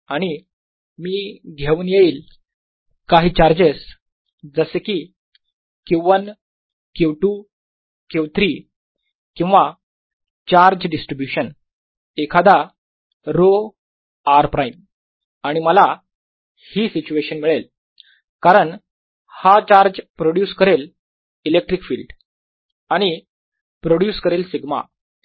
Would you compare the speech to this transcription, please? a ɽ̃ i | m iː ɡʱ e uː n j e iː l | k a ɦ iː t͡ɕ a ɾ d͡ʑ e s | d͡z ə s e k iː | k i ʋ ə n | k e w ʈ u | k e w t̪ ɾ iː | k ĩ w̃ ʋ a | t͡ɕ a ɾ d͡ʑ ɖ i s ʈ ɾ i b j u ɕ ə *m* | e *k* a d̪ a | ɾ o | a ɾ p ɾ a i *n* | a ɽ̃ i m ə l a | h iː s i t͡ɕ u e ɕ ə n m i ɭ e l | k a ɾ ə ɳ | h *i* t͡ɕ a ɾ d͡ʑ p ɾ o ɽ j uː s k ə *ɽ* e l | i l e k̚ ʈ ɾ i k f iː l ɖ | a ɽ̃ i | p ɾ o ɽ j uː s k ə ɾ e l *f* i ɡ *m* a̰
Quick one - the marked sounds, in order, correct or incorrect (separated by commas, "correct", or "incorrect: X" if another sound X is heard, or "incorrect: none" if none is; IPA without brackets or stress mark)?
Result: incorrect: n, incorrect: kʰ, incorrect: m, incorrect: a, incorrect: ɾ, incorrect: s, correct